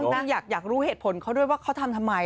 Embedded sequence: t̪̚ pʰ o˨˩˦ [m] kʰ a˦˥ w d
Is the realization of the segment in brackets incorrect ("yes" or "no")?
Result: yes